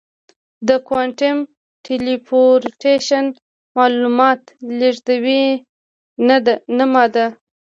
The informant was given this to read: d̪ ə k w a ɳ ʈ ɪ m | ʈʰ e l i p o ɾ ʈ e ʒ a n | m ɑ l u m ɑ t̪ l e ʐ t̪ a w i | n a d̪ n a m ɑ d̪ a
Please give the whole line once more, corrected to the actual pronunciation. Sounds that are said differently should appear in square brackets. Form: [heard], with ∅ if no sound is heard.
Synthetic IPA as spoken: d̪ ə k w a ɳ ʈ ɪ m | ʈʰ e l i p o ɾ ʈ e [ʃ] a n | m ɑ l u m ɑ t̪ l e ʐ [d̪] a w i | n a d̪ n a m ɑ d̪ a